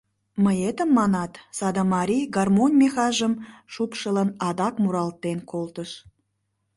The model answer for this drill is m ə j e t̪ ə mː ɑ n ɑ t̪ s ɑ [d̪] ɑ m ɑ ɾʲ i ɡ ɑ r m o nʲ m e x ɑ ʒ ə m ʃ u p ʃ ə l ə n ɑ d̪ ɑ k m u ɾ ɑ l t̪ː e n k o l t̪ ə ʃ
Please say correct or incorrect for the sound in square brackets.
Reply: correct